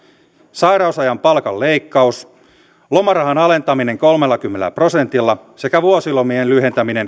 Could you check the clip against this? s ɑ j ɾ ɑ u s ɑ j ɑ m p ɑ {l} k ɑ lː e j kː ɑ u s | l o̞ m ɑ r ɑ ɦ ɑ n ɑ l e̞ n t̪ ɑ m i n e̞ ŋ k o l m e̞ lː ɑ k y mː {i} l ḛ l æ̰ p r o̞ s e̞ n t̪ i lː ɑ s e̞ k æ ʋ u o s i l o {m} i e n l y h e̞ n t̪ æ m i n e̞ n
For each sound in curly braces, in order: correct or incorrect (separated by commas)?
correct, incorrect, correct